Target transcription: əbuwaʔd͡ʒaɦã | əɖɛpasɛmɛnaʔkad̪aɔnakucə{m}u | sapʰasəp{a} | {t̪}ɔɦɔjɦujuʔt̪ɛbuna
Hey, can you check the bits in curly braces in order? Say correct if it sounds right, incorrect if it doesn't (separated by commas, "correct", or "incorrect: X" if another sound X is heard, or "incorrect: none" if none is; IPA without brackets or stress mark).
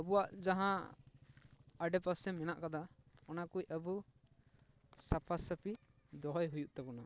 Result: incorrect: b, incorrect: i, incorrect: d̪